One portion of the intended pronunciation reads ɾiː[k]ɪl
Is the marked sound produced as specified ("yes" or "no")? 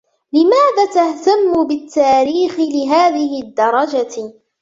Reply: no